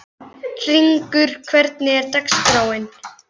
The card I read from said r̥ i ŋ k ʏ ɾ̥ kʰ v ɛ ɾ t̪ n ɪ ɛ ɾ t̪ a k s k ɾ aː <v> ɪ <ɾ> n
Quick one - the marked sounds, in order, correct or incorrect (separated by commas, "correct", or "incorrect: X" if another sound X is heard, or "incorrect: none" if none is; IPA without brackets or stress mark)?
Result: incorrect: w, incorrect: none